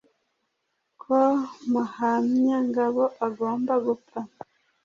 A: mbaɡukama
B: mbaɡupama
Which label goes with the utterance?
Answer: B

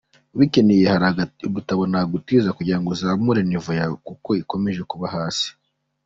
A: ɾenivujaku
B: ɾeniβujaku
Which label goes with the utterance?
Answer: A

